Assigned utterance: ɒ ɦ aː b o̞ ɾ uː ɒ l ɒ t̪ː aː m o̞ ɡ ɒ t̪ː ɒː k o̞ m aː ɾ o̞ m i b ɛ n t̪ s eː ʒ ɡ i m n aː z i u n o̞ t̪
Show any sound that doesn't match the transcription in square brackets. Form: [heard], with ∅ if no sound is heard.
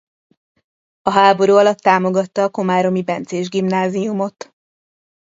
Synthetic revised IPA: ɒ ɦ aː b o̞ ɾ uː ɒ l ɒ t̪ː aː m o̞ ɡ ɒ t̪ː ɒː k o̞ m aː ɾ o̞ m i b ɛ n t̪ s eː ʒ ɡ i m n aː z i u [m] o̞ t̪